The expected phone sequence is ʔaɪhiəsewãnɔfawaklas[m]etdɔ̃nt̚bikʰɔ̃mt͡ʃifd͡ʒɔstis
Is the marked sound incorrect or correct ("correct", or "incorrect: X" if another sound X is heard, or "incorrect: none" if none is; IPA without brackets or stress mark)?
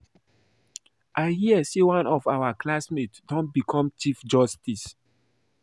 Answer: correct